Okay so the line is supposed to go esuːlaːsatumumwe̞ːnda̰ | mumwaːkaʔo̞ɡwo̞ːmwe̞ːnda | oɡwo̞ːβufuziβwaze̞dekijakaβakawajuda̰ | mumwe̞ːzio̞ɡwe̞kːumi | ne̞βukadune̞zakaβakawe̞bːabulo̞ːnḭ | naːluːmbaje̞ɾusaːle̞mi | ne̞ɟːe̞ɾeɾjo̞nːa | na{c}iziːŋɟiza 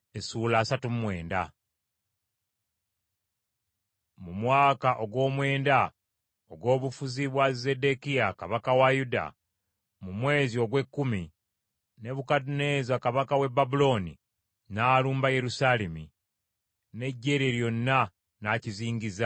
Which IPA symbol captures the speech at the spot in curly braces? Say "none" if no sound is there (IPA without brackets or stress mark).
c